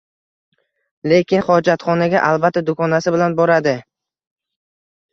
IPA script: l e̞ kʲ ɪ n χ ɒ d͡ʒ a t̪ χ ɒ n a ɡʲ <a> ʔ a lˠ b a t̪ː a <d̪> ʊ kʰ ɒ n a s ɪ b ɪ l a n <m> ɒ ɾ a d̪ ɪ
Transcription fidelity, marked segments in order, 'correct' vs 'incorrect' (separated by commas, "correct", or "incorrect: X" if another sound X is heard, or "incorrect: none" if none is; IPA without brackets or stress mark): correct, correct, incorrect: b